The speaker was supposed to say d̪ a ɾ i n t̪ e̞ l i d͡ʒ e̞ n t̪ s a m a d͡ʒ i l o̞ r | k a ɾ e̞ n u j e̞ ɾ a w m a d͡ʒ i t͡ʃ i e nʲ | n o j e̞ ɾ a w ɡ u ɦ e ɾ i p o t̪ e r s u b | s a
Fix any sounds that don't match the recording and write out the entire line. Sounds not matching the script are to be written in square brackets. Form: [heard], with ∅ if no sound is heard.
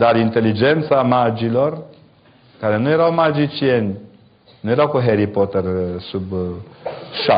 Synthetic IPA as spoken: d̪ a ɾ i n t̪ e̞ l i d͡ʒ e̞ n t̪ s a m a d͡ʒ i l o̞ r | k a ɾ e̞ n u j e̞ ɾ a w m a d͡ʒ i t͡ʃ i e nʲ | n [u] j e̞ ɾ a w [k] u ɦ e ɾ i p o t̪ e r s u b | [ʃ] a